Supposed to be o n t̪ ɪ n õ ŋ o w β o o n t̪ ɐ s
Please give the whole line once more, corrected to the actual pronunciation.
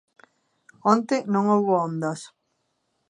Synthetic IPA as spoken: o n t̪ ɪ n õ ŋ o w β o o n d̪ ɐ s